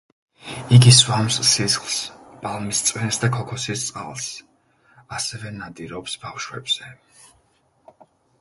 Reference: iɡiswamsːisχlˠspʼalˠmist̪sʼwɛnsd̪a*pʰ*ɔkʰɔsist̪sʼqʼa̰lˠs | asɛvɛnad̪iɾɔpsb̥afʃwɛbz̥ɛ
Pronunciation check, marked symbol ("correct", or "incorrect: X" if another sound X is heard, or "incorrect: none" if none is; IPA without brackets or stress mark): incorrect: kʰ